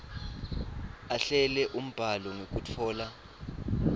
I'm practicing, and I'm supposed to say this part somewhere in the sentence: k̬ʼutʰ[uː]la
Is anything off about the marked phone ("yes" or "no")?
yes